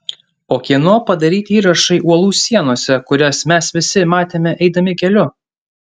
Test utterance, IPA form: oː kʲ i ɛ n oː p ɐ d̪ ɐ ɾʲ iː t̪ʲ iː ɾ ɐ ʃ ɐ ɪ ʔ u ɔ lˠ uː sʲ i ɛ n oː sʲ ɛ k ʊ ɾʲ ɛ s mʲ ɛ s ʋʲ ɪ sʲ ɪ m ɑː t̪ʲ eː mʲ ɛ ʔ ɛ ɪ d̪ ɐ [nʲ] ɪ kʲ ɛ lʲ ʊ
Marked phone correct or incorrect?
incorrect